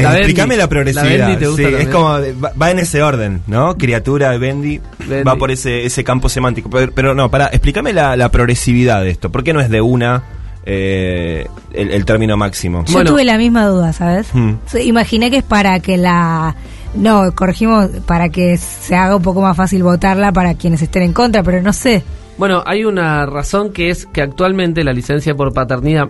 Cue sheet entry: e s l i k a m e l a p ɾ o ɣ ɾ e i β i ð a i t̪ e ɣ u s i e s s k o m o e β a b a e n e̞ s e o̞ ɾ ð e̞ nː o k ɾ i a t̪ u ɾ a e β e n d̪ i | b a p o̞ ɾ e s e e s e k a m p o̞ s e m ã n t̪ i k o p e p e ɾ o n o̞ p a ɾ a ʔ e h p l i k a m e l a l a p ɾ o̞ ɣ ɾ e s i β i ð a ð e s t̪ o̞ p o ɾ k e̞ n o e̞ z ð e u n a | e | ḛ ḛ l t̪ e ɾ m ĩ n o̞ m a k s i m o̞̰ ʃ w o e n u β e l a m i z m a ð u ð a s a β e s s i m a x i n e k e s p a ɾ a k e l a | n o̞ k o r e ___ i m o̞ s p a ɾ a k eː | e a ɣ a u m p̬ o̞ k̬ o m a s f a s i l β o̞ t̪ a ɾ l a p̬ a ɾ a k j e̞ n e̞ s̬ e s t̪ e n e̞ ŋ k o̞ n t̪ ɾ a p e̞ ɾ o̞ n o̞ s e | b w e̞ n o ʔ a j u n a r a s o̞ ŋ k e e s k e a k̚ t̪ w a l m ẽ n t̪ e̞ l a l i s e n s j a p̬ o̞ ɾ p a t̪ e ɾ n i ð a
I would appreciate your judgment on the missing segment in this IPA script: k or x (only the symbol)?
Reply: x